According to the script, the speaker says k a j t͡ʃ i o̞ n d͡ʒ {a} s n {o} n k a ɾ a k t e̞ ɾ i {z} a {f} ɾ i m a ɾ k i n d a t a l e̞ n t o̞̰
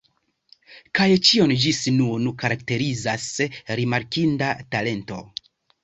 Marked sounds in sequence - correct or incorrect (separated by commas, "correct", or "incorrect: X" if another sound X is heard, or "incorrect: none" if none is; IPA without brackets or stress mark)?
incorrect: i, incorrect: u, correct, incorrect: s